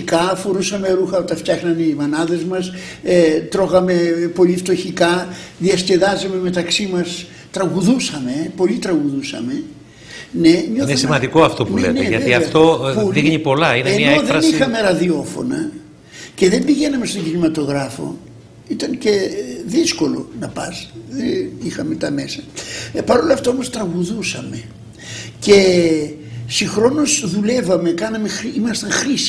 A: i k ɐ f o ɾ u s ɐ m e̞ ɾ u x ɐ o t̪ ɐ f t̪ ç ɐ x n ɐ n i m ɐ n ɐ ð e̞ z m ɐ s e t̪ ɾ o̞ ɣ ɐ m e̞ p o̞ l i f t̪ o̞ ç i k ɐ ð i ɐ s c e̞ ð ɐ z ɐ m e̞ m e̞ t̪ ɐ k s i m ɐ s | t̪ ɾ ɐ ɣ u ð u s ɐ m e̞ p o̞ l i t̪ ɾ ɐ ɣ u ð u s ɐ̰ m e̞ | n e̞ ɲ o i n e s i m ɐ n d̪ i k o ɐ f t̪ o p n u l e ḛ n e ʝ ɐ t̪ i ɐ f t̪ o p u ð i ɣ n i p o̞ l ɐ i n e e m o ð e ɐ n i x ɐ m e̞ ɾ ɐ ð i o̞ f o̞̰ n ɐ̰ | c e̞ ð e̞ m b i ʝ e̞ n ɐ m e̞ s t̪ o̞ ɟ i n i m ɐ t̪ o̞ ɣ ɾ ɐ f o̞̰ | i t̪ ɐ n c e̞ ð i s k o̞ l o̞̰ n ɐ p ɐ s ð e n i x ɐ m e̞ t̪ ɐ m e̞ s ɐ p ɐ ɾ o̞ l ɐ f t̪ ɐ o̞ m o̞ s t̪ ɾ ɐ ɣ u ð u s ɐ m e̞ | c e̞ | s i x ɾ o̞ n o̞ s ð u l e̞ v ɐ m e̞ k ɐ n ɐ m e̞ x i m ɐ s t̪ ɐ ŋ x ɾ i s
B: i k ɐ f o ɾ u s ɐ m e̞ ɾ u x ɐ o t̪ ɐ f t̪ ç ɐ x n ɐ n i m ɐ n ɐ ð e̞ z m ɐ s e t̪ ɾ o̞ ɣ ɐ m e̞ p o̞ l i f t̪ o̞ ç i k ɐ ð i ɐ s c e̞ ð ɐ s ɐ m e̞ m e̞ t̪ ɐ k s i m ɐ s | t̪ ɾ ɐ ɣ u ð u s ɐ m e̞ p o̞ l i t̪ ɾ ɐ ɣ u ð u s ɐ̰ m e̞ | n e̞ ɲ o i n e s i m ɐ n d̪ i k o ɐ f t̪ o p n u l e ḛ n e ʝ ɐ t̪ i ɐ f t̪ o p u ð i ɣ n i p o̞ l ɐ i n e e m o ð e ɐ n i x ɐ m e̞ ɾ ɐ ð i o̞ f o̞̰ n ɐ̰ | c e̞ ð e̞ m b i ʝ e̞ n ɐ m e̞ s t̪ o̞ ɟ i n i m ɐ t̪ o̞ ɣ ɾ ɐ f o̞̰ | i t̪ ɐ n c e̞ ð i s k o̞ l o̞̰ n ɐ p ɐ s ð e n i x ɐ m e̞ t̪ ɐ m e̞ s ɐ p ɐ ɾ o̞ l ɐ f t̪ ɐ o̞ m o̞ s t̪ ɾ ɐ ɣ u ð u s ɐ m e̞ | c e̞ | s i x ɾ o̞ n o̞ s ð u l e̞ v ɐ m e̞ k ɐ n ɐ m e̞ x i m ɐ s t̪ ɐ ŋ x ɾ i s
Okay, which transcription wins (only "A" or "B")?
A